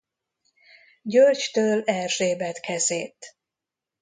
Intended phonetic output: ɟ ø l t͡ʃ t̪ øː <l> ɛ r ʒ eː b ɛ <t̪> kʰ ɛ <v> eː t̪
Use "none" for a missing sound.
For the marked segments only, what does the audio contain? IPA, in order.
l, t̪, z

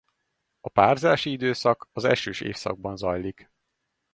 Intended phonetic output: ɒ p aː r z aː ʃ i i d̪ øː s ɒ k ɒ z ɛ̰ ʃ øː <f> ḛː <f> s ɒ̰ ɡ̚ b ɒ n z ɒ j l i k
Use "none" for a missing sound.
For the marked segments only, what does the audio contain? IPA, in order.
ʃ, f

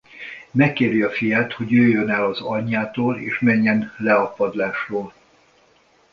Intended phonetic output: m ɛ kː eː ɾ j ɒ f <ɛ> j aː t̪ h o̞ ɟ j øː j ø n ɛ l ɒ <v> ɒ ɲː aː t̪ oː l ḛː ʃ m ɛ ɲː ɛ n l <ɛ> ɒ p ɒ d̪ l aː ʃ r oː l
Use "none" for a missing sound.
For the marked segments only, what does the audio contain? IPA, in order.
i, z, ɛ

